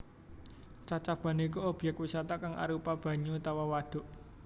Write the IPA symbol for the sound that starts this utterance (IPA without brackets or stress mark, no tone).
t͡ʃ